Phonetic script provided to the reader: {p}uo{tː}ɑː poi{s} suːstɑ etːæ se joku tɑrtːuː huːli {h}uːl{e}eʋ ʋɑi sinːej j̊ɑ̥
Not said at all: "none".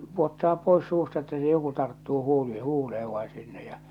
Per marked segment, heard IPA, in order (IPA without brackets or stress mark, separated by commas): p, tː, s, h, e